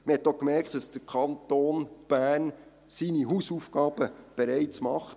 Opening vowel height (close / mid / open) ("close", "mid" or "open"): mid